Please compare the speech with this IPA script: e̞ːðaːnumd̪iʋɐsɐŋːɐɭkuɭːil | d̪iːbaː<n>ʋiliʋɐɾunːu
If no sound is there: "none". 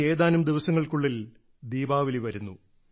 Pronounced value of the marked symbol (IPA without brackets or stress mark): none